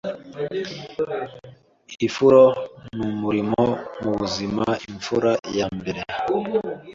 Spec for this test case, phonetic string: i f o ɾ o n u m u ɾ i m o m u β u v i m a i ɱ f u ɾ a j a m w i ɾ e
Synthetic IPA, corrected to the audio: i f u ɾ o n u m u ɾ i m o m u β u z i m a i ɱ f u ɾ a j a m b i ɾ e